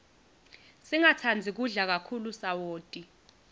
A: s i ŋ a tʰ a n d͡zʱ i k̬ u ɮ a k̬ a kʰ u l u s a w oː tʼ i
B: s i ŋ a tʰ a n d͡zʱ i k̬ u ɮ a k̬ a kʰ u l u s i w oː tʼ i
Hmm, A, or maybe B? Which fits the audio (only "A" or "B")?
A